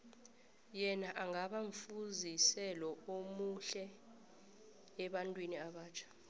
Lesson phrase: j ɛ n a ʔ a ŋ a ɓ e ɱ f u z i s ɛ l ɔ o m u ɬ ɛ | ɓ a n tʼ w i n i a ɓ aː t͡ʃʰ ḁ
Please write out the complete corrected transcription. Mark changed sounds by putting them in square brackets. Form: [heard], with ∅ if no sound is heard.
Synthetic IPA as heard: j ɛ n a ʔ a ŋ a ɓ [a] ɱ f u z i s ɛ l ɔ o m u ɬ ɛ | ɓ a n tʼ w i n i a ɓ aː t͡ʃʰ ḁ